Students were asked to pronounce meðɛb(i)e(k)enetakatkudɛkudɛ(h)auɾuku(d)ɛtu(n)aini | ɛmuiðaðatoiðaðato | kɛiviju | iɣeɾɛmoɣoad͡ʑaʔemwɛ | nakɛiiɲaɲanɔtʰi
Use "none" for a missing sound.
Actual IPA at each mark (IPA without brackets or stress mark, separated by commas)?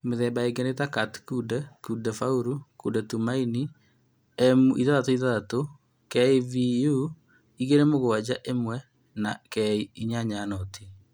a, ɡ, f, d, m